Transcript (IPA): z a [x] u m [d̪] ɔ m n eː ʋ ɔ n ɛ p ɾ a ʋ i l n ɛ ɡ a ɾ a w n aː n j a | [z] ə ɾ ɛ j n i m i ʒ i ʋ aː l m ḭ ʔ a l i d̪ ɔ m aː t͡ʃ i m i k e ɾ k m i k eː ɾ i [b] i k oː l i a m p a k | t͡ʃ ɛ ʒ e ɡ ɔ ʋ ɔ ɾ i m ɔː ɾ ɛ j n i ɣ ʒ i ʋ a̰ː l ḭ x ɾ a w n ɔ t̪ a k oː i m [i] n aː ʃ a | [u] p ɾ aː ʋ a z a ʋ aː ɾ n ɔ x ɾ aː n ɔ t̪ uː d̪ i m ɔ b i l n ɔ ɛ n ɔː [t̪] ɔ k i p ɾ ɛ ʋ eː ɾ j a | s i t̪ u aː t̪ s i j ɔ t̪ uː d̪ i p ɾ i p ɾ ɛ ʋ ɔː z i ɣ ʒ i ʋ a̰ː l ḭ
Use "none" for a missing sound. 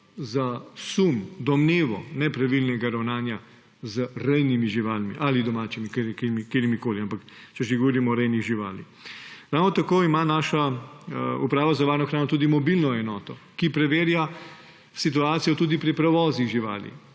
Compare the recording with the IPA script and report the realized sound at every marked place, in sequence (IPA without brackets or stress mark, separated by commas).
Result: s, d̪, z, m, a, u, t̪